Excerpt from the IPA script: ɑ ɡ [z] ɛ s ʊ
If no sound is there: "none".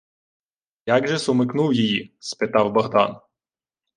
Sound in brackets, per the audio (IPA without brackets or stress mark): ʒ